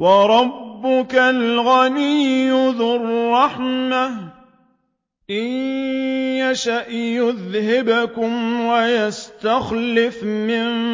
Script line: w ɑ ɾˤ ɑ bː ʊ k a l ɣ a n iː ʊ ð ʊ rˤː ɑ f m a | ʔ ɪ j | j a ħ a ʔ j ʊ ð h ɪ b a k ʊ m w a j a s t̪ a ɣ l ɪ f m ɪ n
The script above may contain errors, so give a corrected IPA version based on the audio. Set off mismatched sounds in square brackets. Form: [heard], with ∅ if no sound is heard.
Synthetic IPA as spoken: w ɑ ɾˤ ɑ bː ʊ k a l ɣ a n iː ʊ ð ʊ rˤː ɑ [ħ] m a | ʔ ɪ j | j a [ʃ] a ʔ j ʊ ð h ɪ b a k ʊ m w a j a s t̪ a [x] l ɪ f m ɪ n